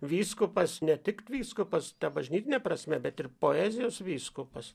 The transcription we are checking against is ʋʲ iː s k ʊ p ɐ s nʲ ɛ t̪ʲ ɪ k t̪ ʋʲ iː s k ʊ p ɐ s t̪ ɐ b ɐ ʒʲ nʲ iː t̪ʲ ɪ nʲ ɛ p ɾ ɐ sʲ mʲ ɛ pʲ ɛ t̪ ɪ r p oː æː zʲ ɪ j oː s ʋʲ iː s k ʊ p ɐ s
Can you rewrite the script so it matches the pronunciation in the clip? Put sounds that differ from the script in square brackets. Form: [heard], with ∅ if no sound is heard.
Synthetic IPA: ʋʲ iː s k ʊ p ɐ s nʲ ɛ t̪ʲ ɪ k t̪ ʋʲ iː s k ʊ p ɐ s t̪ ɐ b ɐ ʒʲ nʲ iː t̪ʲ ɪ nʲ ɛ p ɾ ɐ sʲ mʲ ɛ [bʲ] ɛ t̪ ɪ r p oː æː zʲ ɪ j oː s ʋʲ iː s k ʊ p ɐ s